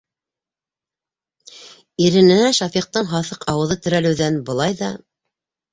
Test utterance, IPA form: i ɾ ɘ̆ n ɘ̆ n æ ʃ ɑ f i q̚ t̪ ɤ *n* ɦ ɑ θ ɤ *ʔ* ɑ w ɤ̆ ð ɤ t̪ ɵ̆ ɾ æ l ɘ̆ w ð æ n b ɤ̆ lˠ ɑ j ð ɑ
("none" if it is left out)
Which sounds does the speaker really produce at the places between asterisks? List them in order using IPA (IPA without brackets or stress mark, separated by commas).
ɴ, q